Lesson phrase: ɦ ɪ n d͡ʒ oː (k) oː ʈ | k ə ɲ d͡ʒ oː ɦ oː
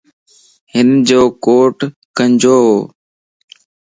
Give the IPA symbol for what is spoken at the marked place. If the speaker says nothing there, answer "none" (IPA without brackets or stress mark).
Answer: k